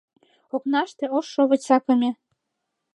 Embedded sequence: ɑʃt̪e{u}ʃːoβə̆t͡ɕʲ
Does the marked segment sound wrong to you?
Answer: yes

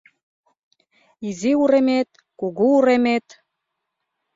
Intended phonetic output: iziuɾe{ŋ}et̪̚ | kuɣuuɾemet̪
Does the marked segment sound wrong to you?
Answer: yes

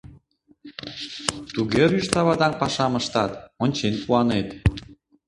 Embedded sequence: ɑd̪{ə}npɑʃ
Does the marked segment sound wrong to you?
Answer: yes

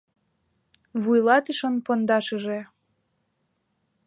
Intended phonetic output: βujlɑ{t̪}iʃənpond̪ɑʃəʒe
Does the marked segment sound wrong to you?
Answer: no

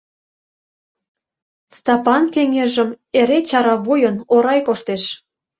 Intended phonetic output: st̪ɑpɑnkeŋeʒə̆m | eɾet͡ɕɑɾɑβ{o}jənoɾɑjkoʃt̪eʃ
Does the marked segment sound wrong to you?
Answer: yes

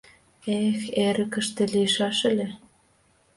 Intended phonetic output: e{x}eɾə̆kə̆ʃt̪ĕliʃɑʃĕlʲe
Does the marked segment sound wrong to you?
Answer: no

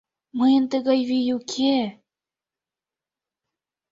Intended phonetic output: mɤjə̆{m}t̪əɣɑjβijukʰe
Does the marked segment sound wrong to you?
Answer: yes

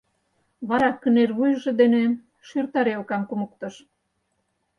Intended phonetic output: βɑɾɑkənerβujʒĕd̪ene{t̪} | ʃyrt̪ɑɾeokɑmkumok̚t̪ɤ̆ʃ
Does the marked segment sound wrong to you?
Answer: yes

